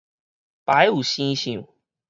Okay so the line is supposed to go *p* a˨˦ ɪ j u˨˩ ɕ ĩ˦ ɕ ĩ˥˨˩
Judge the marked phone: correct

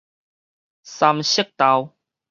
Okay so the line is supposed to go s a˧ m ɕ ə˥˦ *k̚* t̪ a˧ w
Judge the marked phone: correct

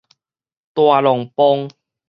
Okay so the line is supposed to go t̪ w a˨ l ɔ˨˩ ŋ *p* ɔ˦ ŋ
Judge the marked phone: correct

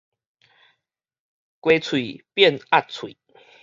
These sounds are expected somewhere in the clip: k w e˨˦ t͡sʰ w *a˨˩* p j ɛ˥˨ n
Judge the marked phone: incorrect: i˨˩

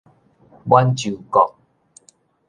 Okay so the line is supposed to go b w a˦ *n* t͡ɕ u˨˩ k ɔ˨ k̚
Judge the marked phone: correct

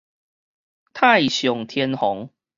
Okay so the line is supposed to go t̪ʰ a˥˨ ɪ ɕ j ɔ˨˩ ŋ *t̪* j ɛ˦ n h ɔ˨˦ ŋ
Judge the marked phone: incorrect: t̪ʰ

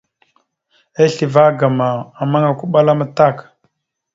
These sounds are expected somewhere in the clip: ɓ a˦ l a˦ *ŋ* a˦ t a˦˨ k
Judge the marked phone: incorrect: m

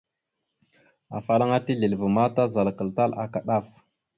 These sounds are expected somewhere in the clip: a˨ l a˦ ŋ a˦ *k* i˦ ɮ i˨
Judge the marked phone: incorrect: t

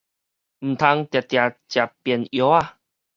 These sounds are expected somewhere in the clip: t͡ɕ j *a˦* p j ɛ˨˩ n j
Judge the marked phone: incorrect: a˨˩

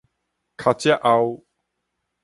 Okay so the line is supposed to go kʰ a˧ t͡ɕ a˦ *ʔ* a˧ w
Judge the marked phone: correct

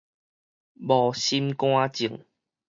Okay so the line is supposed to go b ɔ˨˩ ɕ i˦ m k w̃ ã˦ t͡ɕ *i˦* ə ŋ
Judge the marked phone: incorrect: i˨˩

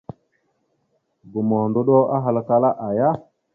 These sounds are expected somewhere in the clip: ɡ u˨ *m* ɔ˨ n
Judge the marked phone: correct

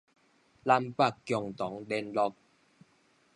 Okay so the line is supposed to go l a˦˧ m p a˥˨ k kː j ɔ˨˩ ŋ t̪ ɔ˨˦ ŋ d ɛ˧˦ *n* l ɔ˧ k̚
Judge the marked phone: correct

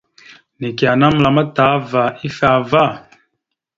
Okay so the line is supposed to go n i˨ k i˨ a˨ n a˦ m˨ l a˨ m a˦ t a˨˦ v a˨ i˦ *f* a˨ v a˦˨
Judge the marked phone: correct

